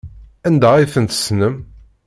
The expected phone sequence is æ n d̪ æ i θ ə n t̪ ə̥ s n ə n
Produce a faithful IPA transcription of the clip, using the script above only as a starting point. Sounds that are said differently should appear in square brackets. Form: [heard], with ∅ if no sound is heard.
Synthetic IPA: æ n d̪ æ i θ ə n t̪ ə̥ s n ə [m]